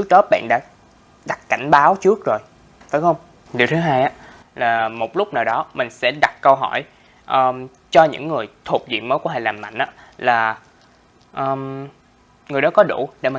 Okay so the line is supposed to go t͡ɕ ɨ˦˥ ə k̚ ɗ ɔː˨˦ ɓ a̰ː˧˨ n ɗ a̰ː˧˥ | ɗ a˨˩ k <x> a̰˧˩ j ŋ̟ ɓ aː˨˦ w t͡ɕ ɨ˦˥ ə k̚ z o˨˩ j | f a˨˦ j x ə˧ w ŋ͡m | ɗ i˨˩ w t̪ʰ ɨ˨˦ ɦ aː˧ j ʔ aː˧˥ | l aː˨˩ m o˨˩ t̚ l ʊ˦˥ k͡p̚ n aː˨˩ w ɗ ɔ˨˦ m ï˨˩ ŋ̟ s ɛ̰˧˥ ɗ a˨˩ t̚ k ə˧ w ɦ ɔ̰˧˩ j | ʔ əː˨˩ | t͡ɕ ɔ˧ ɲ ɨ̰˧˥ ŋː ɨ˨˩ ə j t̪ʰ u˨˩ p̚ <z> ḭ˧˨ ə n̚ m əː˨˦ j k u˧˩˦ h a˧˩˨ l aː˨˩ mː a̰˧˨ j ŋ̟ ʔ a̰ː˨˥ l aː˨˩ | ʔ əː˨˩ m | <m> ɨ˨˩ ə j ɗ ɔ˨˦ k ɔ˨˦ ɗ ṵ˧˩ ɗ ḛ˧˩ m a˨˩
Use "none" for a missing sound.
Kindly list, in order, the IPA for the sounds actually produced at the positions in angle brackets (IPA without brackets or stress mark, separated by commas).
k, z, ŋ